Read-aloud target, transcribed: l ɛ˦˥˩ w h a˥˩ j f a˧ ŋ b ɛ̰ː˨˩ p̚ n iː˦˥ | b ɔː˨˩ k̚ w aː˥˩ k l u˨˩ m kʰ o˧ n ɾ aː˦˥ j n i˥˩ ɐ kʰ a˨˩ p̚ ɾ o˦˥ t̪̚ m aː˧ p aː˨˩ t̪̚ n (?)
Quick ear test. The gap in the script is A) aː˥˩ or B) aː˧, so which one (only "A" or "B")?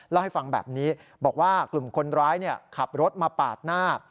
A